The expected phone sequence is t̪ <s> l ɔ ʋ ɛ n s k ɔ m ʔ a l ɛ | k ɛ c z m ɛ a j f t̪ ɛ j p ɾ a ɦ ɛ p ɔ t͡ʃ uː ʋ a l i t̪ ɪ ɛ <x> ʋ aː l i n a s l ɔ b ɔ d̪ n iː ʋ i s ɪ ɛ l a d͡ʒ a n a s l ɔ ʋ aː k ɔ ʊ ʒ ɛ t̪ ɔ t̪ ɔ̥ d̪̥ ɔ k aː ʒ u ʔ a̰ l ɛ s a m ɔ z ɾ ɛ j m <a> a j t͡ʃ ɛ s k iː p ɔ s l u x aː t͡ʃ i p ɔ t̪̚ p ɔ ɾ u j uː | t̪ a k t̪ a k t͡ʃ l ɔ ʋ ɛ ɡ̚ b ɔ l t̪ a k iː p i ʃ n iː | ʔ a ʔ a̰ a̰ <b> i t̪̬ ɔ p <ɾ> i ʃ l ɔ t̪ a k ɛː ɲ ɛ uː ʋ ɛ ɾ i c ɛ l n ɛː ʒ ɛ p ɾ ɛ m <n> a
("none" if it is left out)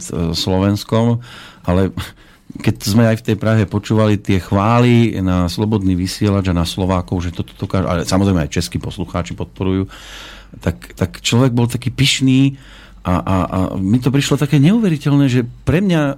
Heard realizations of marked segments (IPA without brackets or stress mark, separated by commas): s, x, ɛ, m, ɾ, ɲ